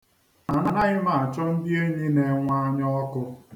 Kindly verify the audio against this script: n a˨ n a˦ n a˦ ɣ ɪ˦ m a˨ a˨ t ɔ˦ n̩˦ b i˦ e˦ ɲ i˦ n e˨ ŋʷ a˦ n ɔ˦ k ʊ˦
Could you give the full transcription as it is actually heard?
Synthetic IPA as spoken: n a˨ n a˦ n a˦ ɣ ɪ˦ m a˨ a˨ t͡ʃ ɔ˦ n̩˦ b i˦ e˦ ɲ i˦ n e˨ ŋʷ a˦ ɲ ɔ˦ k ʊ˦